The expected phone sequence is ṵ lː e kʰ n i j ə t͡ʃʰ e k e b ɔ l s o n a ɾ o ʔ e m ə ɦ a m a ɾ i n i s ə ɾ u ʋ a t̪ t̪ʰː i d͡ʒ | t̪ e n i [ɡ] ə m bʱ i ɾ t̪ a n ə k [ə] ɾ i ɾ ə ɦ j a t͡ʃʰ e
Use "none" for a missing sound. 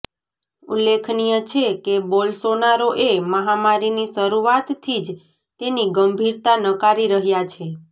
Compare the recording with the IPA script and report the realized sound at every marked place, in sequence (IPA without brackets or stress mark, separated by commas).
ɡ, a